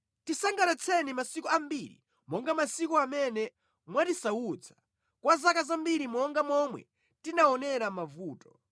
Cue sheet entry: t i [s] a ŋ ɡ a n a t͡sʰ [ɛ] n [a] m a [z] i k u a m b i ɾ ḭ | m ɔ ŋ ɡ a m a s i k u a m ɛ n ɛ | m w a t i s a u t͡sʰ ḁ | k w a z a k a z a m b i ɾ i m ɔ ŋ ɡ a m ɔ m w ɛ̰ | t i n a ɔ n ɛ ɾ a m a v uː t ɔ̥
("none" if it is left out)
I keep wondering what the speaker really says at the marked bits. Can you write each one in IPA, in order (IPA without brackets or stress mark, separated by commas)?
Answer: s, ɛ, i, s